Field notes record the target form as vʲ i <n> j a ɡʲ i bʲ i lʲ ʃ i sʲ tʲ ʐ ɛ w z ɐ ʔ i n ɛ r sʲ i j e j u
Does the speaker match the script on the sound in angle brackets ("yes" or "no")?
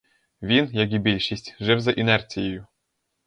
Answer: yes